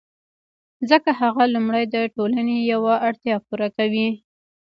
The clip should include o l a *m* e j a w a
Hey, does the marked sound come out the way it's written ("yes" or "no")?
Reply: no